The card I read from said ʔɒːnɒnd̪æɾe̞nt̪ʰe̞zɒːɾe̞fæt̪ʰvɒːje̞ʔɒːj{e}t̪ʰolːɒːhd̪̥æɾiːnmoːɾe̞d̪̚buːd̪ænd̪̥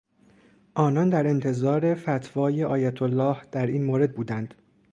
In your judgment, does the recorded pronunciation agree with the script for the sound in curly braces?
no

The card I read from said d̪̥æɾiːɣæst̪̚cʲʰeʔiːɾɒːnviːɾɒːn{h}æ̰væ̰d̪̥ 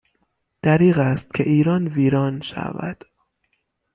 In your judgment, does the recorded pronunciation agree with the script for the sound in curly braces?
no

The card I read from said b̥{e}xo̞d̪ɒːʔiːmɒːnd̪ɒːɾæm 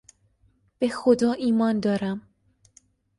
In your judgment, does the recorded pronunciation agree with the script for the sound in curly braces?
yes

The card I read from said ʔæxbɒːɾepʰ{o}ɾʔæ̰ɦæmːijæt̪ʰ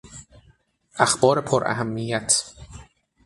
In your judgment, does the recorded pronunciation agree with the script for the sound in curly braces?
yes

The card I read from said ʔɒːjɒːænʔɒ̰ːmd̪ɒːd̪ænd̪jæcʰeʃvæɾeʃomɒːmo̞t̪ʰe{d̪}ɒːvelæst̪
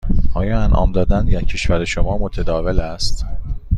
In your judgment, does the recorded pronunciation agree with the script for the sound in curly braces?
yes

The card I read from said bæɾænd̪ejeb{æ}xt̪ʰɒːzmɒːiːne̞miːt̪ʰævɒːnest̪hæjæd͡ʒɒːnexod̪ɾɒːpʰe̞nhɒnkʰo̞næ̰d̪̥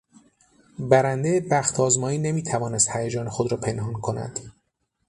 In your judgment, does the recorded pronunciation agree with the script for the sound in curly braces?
yes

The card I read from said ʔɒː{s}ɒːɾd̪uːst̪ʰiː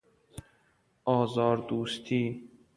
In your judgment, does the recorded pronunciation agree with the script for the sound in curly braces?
no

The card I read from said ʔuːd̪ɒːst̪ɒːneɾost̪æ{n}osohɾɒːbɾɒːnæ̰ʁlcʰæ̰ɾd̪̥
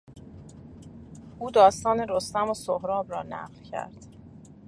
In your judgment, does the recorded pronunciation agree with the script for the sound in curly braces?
no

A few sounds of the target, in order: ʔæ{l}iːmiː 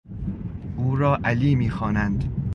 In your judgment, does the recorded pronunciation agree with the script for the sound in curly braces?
yes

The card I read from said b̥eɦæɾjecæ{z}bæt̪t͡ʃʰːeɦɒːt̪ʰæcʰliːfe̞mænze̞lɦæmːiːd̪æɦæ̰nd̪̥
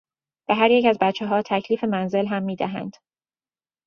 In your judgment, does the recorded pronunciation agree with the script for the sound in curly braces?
yes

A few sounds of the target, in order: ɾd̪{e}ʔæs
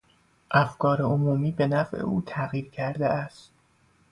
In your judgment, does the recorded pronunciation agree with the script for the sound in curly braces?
yes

